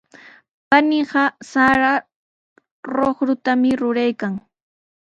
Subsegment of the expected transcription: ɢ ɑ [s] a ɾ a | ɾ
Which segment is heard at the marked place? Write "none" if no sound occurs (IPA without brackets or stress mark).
s